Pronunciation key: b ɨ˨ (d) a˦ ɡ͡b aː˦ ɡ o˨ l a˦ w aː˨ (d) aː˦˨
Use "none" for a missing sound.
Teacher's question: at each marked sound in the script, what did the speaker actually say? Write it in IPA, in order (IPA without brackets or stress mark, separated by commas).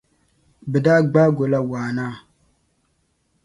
d, n